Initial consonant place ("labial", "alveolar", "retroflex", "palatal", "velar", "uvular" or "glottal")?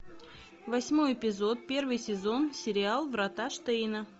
labial